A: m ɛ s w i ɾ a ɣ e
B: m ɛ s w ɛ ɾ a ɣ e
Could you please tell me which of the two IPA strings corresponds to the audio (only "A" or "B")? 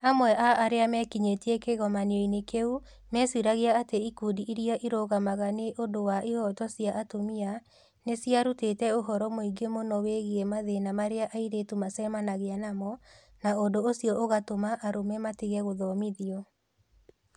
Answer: A